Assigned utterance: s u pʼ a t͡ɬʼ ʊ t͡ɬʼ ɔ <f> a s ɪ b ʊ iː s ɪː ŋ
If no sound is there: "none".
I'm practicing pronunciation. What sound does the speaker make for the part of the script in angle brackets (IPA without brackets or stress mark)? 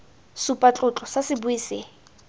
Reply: s